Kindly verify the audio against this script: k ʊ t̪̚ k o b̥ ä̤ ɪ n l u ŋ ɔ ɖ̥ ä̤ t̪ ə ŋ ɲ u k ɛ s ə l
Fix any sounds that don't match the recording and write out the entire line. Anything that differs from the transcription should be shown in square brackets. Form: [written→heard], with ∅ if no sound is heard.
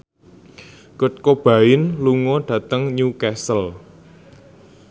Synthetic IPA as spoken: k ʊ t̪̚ k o b̥ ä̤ ɪ n l u ŋ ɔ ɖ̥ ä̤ t̪ ə ŋ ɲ u k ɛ s ə l